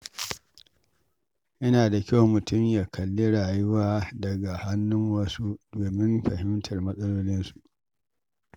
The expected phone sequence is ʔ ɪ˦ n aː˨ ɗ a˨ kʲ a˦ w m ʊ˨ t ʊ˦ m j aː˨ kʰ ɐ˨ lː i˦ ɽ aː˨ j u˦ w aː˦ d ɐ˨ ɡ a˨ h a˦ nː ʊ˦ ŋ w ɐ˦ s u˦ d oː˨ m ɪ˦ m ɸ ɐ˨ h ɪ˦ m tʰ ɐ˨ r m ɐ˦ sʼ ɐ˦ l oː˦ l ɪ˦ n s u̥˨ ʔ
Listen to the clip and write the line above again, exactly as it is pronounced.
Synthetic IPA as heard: ʔ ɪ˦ n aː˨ d a˨ kʲ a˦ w m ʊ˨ t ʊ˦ m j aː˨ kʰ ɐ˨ lː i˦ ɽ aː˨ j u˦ w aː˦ d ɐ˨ ɡ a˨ h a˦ nː ʊ˦ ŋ w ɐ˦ s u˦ d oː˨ m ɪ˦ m ɸ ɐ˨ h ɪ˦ m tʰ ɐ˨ r m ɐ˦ sʼ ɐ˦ l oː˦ l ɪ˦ n s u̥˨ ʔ